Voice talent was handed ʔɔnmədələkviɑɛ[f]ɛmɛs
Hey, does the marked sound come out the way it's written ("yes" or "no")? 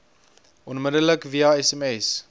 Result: no